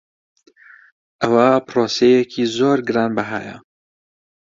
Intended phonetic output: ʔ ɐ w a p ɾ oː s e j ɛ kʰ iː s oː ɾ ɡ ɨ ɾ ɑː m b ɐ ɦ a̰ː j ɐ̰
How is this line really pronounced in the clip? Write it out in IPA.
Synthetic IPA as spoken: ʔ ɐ w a p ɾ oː s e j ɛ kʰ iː z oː ɾ ɡ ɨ ɾ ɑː n b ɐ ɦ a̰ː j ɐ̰